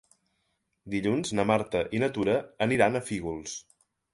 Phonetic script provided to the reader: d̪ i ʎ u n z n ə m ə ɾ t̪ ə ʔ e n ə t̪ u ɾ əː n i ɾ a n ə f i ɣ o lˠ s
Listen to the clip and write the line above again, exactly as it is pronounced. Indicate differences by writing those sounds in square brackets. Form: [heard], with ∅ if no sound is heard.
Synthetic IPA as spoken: d̪ i ʎ u n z n ə m [a] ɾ t̪ ə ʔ [i] n ə t̪ u ɾ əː n i ɾ a n ə f i ɣ [u] lˠ s